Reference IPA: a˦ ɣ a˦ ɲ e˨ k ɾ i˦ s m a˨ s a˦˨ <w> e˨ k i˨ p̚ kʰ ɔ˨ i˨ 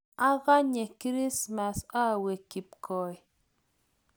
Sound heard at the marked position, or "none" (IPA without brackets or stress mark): w